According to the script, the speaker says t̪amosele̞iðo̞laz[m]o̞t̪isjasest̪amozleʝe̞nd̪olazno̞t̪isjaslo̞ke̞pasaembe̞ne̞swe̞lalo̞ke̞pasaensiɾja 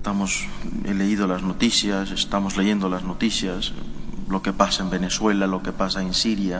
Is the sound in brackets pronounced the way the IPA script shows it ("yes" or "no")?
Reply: no